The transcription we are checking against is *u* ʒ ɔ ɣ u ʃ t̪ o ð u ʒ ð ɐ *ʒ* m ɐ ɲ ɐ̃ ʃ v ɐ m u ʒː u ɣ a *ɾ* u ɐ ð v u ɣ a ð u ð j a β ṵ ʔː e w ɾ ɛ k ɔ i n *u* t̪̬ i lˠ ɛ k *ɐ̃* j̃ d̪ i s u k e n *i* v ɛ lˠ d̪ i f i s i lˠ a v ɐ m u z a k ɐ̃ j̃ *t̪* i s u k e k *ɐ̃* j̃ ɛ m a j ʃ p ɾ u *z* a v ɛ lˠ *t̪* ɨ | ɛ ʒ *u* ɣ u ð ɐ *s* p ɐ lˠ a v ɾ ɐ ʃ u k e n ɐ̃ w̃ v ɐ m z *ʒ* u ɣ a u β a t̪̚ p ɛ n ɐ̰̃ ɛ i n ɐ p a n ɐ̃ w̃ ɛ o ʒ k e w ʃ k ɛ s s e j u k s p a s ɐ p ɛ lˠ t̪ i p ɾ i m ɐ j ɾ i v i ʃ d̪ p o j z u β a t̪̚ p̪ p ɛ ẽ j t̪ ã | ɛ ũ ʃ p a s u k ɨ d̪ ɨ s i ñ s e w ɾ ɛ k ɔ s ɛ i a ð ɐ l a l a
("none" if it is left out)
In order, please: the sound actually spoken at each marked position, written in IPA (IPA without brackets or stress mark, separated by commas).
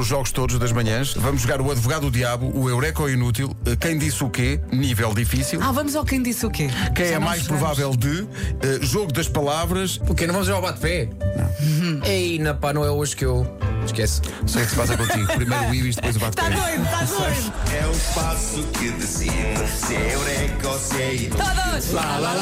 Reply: u, ʒ, ɾ, u, ɐ̃, i, d̪, ɐ̃, v, d̪, o, ʃ, ʒ